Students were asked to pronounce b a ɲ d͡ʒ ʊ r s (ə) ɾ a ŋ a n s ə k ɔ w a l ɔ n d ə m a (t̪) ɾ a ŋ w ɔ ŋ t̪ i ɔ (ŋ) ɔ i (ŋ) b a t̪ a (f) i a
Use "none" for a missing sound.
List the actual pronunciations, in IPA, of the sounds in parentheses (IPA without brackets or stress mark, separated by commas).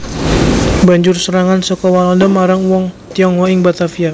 ə, none, ŋ, ŋ, f